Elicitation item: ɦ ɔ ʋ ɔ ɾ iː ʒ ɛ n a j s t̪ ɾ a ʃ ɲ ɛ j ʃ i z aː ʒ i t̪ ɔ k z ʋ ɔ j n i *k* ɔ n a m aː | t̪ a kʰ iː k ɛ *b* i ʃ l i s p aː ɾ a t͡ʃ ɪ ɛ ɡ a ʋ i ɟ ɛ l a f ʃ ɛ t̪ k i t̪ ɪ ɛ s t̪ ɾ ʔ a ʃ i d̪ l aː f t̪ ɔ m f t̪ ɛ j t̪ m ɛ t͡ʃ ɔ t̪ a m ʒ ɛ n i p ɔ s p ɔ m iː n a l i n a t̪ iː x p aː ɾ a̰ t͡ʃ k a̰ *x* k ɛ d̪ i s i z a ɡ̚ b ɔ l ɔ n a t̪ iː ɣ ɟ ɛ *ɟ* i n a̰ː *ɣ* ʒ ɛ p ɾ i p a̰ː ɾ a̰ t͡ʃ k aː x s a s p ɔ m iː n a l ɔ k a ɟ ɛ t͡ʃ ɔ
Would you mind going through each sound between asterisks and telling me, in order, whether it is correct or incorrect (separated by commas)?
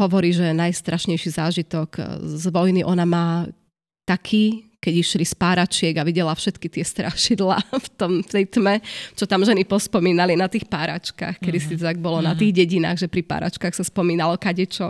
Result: incorrect, incorrect, correct, correct, correct